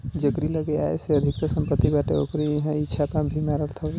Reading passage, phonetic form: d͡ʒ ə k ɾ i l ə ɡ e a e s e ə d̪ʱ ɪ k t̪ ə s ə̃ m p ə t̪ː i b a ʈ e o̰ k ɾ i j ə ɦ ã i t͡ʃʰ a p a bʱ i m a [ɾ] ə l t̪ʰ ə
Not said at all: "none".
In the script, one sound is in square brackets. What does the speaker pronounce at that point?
ɾ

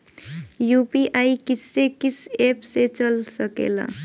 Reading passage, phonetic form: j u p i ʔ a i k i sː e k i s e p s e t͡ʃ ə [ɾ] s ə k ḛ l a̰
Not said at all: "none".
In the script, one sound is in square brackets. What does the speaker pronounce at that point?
l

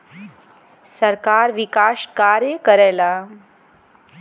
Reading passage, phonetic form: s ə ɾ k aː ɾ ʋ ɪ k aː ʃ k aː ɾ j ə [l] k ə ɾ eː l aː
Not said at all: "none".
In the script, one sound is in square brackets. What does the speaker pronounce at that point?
none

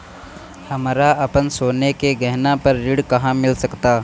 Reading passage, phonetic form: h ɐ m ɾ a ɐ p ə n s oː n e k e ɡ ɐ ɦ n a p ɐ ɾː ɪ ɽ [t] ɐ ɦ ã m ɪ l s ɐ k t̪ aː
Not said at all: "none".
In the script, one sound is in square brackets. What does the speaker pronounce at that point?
k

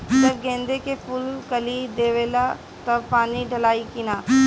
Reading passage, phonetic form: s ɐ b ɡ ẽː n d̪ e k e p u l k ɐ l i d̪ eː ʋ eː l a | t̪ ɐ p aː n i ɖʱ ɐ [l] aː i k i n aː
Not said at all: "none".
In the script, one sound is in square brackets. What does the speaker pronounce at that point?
l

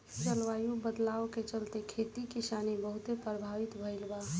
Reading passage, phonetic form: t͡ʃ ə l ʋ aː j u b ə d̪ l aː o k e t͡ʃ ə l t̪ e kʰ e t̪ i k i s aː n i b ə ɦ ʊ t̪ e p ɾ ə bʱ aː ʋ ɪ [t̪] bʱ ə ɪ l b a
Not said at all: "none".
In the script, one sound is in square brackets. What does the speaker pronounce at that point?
t̪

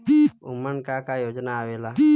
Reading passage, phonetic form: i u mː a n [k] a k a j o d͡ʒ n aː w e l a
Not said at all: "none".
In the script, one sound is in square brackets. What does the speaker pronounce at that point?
k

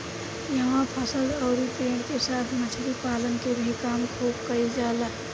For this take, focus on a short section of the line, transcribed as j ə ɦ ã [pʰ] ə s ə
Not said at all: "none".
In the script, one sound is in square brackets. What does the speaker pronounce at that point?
pʰ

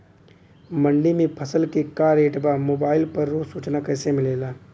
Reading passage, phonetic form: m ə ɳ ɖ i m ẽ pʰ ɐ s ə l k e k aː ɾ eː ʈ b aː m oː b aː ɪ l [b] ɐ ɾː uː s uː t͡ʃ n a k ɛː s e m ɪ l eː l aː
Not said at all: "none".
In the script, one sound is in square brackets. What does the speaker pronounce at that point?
p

